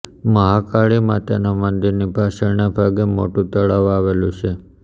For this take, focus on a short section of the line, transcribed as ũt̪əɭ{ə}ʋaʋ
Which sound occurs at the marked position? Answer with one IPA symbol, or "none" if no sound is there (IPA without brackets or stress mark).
a